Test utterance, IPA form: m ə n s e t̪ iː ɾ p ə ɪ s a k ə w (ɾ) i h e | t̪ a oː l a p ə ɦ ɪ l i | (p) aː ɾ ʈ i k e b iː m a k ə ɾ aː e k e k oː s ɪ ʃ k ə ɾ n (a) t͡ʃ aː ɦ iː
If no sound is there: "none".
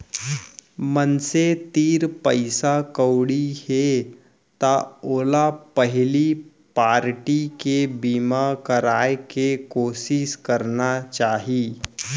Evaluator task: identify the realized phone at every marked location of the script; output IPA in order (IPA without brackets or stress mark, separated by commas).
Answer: ɽ, p, a